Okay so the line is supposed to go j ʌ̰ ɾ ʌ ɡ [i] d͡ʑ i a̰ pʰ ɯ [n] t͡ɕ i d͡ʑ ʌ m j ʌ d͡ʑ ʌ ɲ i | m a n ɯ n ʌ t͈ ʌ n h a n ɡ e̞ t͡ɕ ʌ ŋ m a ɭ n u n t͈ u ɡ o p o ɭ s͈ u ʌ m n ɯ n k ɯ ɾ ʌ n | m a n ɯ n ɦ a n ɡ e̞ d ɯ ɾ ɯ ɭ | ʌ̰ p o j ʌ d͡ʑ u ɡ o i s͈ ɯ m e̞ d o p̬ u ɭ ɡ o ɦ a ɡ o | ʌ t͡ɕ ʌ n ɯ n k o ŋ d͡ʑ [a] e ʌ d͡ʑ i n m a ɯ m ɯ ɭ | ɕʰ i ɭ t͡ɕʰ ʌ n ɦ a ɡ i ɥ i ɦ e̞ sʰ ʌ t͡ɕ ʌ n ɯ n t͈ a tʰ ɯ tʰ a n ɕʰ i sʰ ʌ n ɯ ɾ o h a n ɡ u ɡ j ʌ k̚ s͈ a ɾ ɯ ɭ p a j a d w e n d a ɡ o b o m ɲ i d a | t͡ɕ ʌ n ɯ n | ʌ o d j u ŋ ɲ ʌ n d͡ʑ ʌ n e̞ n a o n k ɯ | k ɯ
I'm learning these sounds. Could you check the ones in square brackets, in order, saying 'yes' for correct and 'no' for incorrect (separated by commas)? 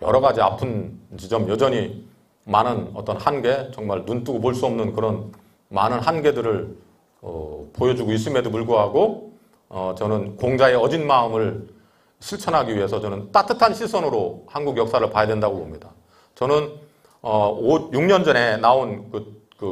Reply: no, yes, yes